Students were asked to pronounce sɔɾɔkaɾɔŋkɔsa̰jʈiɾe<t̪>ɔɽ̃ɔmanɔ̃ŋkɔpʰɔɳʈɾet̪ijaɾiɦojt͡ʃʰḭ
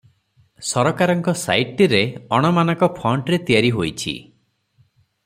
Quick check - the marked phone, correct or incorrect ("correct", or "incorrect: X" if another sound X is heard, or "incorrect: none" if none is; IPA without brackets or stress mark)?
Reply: incorrect: none